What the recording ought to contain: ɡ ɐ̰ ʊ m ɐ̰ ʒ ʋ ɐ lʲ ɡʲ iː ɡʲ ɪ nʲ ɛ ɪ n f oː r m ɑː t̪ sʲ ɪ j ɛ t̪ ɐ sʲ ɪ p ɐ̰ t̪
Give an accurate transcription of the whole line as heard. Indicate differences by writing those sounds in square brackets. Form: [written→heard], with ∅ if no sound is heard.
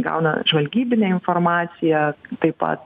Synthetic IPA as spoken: ɡ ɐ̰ ʊ [m→n] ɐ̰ ʒ ʋ ɐ lʲ ɡʲ iː [ɡʲ→bʲ] ɪ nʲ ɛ ɪ n f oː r m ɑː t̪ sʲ ɪ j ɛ t̪ ɐ [sʲ→∅] ɪ p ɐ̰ t̪